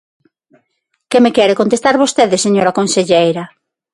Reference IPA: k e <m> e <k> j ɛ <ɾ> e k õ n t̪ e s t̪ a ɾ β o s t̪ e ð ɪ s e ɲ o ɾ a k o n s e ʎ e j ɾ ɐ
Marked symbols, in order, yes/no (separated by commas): yes, yes, yes